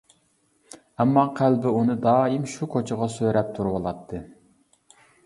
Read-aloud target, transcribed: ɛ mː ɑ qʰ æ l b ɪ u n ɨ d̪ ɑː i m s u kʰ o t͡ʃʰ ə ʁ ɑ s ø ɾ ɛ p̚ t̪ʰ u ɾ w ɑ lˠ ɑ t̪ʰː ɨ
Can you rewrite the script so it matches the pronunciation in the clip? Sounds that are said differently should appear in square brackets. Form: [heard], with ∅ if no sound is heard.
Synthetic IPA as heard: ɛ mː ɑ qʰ æ l b ɪ u n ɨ d̪ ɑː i m [ʃ] u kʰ o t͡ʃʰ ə ʁ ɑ s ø ɾ ɛ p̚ t̪ʰ u ɾ w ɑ lˠ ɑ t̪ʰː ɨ